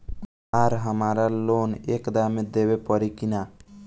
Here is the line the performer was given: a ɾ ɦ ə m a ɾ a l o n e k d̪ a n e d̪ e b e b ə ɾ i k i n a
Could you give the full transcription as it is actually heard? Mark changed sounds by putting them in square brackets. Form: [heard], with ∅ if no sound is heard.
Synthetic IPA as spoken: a ɾ ɦ ə m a ɾ a l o n e k d̪ a [m] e d̪ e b e [p] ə ɾ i k i n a

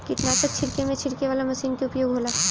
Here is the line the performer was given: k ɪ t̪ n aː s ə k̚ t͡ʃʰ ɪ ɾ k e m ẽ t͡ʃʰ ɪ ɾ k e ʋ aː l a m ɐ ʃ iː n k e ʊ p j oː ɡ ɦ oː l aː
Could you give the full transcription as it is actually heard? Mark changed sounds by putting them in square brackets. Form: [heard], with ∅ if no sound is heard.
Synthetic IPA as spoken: k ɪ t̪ n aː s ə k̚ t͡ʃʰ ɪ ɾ k e m ẽ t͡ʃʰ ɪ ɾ k e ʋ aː l a m ɐ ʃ iː n k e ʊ p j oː ɡ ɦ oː l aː

